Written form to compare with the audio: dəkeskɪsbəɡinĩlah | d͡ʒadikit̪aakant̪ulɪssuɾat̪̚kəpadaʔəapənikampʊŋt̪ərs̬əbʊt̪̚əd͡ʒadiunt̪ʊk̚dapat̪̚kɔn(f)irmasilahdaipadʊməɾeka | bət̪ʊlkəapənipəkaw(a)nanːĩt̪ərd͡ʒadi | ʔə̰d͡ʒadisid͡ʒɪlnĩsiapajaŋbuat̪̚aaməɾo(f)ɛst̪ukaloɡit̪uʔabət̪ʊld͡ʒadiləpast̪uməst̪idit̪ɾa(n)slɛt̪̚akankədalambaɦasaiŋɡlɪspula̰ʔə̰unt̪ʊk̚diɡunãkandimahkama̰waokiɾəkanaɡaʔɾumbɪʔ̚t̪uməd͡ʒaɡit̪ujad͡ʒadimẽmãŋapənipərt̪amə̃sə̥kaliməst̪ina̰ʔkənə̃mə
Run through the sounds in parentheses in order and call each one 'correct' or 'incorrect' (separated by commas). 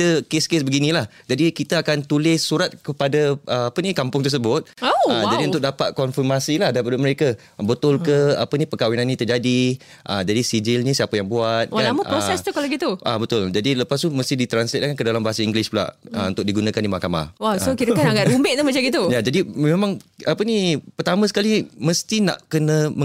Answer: correct, incorrect, incorrect, correct